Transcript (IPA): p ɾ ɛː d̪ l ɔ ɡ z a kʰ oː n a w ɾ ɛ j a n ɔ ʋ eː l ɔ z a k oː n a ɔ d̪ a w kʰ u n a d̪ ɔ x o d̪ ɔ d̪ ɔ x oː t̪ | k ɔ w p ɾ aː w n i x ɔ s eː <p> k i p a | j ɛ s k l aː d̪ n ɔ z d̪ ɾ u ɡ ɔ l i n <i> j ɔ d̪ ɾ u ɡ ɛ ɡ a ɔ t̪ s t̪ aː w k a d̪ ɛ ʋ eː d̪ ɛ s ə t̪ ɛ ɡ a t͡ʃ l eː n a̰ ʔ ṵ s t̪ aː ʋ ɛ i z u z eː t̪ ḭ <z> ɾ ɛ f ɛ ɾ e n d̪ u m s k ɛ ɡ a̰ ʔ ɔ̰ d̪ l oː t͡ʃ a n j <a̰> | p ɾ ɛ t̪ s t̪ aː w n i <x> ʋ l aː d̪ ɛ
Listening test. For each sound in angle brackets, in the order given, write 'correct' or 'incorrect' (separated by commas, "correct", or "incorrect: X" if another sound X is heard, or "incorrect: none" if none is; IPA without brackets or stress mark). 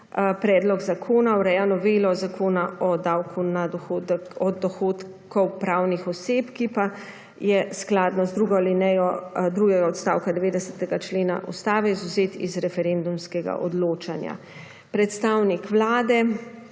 correct, incorrect: ɛ, correct, correct, incorrect: k